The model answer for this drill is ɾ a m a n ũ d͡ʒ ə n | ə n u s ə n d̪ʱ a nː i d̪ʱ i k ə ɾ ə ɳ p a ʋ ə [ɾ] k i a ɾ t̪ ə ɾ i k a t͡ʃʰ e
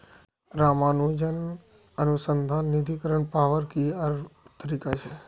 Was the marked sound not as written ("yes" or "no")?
no